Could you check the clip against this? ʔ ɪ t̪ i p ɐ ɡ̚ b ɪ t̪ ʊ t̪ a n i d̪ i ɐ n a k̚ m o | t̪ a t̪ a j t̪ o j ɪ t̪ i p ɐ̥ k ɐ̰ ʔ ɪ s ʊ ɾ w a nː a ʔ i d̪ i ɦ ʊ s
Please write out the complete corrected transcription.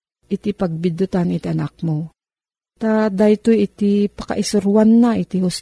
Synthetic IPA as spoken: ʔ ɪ t̪ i p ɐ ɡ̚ b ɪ d̪ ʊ t̪ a n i t̪ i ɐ n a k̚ m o | t̪ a d̪ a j t̪ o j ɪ t̪ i p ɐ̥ k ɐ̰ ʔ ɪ s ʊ ɾ w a nː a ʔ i t̪ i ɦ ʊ s